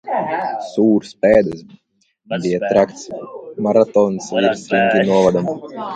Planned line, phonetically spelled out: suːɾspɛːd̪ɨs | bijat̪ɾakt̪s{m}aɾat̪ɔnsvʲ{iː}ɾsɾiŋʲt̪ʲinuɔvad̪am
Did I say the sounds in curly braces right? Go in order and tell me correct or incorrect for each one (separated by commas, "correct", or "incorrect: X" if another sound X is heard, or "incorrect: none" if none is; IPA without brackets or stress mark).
correct, incorrect: i